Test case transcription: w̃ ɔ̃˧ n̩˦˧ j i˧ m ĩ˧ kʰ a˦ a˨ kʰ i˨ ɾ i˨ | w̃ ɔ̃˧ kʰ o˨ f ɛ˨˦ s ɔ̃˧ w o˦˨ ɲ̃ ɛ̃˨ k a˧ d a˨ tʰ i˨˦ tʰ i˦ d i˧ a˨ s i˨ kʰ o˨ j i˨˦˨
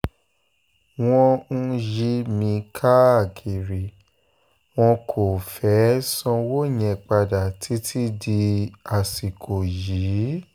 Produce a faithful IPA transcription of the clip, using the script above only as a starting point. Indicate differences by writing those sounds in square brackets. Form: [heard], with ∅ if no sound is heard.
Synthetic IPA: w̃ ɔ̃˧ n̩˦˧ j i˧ m ĩ˧ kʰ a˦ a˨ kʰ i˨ ɾ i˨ | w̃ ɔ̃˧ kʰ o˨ f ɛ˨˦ s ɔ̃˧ w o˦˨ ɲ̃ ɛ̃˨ [k͡p] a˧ d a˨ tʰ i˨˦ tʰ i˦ d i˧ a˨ s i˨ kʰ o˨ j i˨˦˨